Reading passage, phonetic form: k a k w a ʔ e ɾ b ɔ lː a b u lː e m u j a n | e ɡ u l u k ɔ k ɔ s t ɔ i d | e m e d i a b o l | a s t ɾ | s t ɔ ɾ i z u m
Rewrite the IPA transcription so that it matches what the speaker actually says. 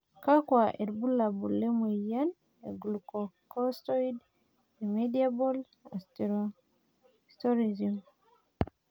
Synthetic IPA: k a k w a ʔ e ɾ b u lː a b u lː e m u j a n | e ɡ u l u k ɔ k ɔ s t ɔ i d | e m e d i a b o l | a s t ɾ | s t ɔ ɾ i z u m